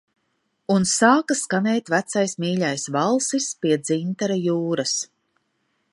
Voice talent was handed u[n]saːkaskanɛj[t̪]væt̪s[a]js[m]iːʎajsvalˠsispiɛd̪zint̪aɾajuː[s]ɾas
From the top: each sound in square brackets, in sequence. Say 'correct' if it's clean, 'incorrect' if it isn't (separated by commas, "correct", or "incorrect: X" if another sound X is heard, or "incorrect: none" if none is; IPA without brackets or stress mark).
correct, correct, correct, correct, incorrect: none